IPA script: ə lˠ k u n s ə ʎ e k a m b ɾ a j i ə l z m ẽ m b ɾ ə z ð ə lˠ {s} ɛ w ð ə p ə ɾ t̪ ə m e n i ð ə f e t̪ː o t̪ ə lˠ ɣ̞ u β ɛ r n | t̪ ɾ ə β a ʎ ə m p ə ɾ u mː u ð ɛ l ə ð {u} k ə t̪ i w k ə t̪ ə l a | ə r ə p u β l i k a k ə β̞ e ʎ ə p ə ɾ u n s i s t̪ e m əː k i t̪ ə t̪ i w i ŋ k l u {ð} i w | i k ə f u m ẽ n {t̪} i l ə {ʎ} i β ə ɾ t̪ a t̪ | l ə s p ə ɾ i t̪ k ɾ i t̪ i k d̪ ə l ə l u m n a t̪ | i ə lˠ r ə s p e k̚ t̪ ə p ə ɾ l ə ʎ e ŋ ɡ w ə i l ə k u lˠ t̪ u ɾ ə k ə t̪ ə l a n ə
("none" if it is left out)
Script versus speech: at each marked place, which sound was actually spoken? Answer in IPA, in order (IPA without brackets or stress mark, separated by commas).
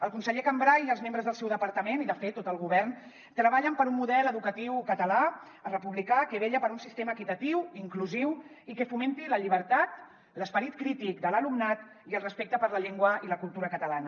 s, u, z, t̪, ʎ